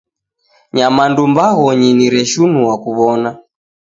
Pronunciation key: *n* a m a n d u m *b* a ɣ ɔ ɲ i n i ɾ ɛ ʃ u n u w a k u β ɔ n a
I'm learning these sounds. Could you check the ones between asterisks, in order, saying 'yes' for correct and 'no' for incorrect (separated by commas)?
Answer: no, yes